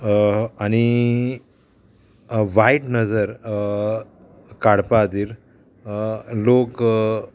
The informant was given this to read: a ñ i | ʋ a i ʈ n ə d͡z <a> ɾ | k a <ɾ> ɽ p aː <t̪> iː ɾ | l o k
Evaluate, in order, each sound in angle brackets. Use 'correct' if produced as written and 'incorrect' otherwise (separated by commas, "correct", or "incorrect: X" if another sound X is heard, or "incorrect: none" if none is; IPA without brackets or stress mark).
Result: incorrect: ə, incorrect: none, incorrect: d̪